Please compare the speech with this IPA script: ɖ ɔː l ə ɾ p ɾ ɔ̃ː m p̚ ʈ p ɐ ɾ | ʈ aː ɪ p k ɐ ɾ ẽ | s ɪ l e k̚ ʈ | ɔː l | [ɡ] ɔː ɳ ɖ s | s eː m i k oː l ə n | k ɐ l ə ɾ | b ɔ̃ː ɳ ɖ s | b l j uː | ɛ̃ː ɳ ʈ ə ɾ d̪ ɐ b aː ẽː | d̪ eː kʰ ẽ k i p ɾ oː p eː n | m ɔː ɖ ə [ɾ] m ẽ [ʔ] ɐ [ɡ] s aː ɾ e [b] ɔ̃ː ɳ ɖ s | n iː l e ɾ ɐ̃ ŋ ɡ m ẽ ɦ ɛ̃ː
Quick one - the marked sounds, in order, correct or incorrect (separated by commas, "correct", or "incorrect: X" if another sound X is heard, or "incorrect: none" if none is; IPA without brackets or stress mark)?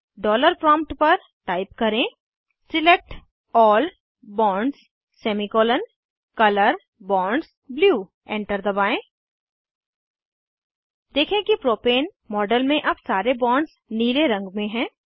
incorrect: b, incorrect: l, correct, incorrect: b, correct